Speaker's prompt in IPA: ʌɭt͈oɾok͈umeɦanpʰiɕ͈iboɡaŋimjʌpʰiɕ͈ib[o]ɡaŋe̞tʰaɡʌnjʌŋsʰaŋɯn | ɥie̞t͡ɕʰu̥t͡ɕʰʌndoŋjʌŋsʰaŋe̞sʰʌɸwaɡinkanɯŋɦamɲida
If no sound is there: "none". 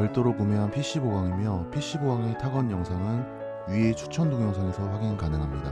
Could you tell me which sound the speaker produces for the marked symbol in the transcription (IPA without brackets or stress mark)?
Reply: o